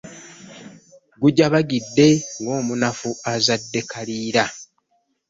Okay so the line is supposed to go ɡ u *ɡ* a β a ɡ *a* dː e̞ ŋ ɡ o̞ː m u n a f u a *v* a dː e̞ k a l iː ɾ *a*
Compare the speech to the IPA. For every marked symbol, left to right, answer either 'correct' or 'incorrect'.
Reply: incorrect, incorrect, incorrect, correct

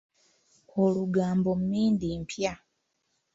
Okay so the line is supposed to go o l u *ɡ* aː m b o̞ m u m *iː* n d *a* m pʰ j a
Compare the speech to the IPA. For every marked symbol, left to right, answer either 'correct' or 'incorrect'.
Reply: correct, correct, incorrect

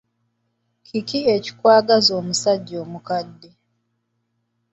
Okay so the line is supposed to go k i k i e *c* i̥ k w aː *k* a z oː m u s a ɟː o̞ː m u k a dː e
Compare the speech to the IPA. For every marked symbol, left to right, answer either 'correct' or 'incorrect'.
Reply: correct, incorrect

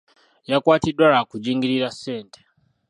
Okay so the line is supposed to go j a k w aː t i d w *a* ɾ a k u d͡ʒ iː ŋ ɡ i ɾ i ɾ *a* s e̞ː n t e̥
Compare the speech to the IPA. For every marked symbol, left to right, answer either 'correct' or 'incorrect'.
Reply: correct, correct

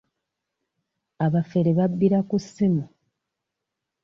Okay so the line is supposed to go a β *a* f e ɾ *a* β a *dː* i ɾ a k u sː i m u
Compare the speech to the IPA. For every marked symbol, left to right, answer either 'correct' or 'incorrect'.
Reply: correct, incorrect, incorrect

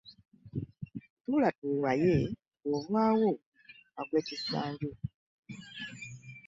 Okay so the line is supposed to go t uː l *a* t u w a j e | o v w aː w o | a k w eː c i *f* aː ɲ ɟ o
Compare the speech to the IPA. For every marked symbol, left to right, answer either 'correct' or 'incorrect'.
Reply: correct, incorrect

